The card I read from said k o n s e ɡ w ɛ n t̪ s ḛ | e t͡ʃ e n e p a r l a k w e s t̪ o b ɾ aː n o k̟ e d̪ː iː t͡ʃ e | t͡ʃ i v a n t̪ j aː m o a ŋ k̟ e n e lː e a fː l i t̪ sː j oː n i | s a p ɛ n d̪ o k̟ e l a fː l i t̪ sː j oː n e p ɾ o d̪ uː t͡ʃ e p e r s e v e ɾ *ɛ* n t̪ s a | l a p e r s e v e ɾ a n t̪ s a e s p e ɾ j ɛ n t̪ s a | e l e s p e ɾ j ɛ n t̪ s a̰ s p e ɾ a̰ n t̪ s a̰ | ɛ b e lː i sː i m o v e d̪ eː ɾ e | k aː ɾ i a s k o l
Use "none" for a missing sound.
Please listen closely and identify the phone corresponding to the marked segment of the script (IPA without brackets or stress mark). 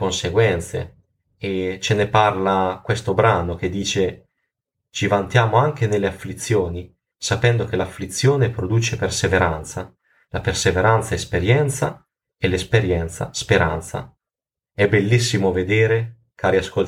a